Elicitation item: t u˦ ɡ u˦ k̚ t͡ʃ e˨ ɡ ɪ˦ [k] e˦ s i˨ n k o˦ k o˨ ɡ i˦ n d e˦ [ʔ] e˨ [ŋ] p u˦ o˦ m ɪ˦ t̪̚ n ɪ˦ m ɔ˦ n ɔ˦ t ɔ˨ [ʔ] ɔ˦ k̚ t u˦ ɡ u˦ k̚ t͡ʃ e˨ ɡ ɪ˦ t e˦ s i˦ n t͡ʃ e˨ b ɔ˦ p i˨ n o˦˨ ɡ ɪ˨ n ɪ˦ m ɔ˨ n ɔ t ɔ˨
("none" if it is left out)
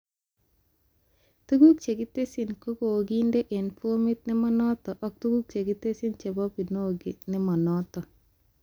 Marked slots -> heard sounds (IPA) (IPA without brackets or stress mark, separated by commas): t, ʔ, n, ʔ